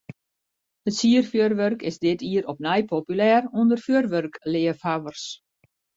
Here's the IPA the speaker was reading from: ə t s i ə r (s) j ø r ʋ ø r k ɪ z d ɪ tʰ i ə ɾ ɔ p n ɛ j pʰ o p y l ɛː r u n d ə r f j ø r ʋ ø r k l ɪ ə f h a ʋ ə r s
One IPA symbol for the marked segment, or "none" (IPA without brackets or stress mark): f